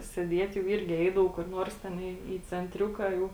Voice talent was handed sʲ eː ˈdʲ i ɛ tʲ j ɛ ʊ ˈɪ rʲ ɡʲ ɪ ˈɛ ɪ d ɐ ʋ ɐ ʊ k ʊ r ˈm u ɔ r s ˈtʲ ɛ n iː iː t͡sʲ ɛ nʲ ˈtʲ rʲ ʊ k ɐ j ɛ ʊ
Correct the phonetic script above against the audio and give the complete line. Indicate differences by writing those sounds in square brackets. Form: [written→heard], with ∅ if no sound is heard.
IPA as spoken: sʲ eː ˈdʲ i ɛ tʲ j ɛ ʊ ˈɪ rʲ ɡʲ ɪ ˈɛ ɪ d ɐ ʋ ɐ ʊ k ʊ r [ˈm→ˈn] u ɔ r s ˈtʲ ɛ n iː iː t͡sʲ ɛ nʲ ˈtʲ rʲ ʊ k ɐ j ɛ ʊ